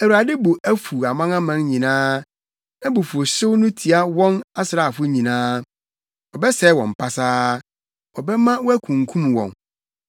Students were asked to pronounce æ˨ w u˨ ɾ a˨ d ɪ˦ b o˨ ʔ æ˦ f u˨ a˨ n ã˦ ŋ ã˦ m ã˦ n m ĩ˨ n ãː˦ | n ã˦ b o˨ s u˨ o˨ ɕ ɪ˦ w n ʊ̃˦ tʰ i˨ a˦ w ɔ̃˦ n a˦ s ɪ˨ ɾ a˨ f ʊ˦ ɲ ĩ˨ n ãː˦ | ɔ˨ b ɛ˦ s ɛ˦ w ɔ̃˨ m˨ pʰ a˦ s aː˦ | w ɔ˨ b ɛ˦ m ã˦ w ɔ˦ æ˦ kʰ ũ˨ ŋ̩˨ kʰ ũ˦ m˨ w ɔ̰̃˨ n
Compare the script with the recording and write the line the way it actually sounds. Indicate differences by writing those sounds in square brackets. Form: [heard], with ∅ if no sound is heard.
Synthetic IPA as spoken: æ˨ w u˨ ɾ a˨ d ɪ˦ b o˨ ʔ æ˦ f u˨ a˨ [m] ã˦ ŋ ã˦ m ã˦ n [ɲ] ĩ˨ n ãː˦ | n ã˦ b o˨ [f] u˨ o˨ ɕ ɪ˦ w n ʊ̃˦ tʰ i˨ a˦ w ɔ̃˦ n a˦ s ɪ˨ ɾ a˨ f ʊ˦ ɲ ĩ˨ n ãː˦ | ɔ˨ b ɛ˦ s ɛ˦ w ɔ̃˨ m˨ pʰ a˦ s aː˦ | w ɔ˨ b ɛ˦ m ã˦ w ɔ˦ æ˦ kʰ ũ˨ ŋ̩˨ kʰ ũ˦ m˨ w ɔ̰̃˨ n